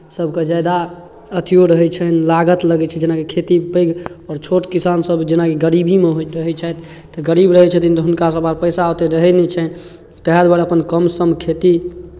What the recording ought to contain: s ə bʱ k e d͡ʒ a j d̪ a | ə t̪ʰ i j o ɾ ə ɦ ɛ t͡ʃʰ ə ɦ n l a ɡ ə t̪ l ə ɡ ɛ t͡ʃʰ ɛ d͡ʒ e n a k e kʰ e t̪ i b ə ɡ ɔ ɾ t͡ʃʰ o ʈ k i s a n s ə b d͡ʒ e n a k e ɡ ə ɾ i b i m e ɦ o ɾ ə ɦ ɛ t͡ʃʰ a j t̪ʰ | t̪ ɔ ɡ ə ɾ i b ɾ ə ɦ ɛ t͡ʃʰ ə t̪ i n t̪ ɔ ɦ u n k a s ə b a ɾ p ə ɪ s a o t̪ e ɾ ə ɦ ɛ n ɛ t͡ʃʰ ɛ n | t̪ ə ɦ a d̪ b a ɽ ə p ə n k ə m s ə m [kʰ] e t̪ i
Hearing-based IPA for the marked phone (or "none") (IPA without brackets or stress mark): kʰ